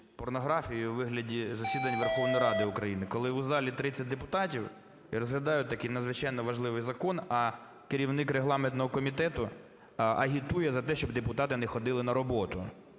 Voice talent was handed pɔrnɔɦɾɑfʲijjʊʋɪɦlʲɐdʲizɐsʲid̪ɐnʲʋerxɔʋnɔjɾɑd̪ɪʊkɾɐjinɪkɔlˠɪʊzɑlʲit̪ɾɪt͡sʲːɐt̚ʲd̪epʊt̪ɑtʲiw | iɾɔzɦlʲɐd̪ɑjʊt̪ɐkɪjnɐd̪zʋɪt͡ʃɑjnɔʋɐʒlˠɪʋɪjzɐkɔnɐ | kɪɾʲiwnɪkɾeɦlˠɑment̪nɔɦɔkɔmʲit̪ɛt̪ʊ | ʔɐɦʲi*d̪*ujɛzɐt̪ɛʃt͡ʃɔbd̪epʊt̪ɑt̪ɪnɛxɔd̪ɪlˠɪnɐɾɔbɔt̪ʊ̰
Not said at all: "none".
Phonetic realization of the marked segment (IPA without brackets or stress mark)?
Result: t̪